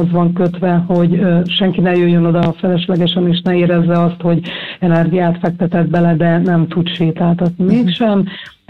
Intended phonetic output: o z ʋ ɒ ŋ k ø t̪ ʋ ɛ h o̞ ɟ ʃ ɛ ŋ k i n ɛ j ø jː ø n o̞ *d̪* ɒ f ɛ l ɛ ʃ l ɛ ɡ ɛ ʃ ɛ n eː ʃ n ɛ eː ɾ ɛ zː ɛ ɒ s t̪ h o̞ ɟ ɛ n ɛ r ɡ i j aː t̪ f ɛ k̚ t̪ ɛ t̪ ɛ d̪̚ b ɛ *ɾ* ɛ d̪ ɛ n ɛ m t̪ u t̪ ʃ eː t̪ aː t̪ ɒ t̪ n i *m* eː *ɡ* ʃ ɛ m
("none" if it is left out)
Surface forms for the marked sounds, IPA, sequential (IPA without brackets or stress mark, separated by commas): d̪, l, m, k